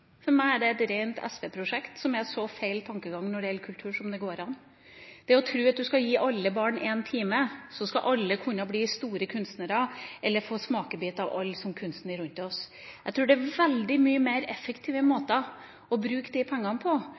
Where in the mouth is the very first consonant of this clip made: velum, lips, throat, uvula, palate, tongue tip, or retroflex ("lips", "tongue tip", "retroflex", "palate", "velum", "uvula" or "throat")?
lips